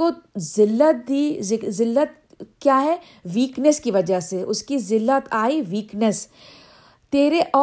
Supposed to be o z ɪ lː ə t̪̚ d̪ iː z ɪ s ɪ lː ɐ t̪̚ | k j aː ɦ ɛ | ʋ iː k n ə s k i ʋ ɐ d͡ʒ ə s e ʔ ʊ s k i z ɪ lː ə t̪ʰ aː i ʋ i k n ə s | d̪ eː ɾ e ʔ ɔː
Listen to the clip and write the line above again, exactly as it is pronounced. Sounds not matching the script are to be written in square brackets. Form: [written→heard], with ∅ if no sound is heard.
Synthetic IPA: o z ɪ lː ə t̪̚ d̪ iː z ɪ [s→z] ɪ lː [ɐ→ə] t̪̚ | k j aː ɦ ɛ | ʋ iː k n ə s k i ʋ ɐ d͡ʒ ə s e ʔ ʊ s k i z ɪ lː ə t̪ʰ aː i ʋ [i→iː] k n ə s | [d̪→t̪] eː ɾ e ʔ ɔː